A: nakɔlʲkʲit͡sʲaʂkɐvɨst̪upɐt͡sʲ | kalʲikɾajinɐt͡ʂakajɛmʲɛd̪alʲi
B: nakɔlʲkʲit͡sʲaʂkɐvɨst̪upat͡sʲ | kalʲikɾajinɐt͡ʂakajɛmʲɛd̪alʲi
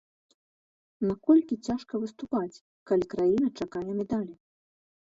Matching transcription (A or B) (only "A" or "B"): B